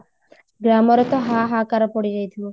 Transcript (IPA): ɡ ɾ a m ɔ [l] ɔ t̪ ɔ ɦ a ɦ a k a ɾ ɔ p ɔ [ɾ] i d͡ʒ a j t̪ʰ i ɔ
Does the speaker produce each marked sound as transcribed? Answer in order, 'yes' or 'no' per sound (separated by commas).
no, no